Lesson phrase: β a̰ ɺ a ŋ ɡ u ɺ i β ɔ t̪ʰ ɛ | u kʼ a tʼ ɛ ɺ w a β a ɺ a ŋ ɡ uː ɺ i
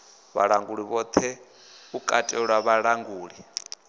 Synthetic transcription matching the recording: β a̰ ɺ a ŋ ɡ u ɺ i β ɔ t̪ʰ ɛ | u kʼ a tʼ ɛ ɺ w a β a ɺ a ŋ ɡ uː ɺ i